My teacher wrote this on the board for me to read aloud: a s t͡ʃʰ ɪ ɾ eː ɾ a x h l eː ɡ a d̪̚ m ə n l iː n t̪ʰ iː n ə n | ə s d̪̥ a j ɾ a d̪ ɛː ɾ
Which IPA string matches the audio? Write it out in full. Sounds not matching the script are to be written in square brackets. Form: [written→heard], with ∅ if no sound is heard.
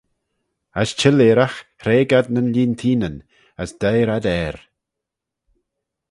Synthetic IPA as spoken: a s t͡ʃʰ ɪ [ɾ→l] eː ɾ a x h [l→ɾ] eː ɡ a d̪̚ [m→n] ə n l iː n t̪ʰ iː n ə n | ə s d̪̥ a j ɾ a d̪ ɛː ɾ